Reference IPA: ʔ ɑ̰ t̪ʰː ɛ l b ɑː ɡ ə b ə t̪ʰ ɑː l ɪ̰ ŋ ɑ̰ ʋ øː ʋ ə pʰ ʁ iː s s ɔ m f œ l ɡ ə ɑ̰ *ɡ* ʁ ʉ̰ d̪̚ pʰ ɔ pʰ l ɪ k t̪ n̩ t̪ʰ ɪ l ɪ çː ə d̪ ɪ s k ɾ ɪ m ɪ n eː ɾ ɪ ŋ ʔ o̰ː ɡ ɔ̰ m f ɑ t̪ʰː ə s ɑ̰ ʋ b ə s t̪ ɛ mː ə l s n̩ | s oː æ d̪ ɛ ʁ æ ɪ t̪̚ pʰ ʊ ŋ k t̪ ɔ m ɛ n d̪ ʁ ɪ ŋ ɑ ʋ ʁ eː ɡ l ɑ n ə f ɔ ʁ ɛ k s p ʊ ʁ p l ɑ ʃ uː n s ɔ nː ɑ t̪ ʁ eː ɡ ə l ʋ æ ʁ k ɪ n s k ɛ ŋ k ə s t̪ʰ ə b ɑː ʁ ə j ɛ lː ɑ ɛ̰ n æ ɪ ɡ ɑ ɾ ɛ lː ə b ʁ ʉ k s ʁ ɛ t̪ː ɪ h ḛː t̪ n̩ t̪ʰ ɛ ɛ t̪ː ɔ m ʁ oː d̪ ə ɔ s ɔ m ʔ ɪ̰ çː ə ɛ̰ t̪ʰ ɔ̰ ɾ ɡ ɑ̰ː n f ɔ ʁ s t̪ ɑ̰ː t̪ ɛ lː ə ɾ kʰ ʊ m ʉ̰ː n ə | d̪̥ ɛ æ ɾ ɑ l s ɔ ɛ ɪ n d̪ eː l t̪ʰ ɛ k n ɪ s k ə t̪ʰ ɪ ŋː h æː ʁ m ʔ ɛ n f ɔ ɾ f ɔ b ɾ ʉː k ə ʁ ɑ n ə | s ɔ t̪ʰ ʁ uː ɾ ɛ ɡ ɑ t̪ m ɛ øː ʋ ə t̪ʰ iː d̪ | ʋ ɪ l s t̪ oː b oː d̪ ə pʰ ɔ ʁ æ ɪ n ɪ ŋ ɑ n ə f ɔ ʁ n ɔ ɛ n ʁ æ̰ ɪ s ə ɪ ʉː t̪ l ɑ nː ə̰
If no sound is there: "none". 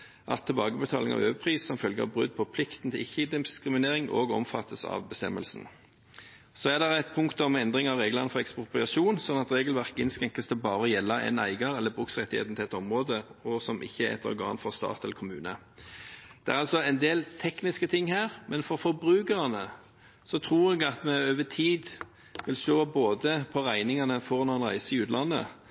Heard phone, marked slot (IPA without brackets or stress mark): b